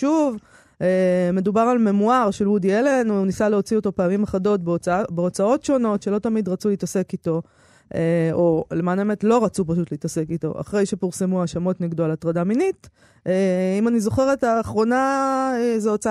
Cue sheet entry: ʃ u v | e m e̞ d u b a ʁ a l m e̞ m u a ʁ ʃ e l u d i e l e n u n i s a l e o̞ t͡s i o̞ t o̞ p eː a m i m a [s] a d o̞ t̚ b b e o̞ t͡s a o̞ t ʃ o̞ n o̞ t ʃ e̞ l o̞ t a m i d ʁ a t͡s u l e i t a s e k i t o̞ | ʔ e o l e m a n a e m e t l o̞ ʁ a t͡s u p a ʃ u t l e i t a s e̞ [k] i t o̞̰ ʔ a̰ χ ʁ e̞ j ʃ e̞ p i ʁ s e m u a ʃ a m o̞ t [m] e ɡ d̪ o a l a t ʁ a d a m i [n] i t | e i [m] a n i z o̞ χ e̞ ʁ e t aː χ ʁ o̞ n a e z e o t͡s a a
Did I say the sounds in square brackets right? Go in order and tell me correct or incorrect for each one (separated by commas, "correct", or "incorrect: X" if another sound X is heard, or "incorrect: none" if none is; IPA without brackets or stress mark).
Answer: incorrect: χ, correct, incorrect: n, correct, correct